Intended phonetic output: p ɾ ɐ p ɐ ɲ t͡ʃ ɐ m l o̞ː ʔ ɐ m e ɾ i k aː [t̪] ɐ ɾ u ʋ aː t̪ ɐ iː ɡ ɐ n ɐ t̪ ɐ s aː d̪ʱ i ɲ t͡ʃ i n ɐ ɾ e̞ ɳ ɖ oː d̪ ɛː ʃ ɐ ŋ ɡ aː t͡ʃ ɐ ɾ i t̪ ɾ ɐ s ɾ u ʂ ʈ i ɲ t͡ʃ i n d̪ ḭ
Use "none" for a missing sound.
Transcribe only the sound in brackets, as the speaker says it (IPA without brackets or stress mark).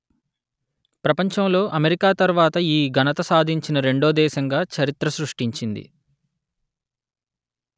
t̪